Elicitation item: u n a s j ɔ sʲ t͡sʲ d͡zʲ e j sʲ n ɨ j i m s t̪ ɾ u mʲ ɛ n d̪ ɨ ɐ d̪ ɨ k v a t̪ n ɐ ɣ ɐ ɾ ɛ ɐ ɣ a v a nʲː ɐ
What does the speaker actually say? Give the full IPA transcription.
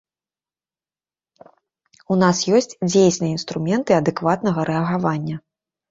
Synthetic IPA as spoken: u n a s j ɔ sʲ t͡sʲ d͡zʲ e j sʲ n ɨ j i n s t̪ ɾ u mʲ ɛ n t̪ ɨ ɐ d̪ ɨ k v a t̪ n ɐ ɣ ɐ ɾ ɛ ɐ ɣ a v a nʲː ɐ